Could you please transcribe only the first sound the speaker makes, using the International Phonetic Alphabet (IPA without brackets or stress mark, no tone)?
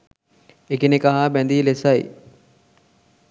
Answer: e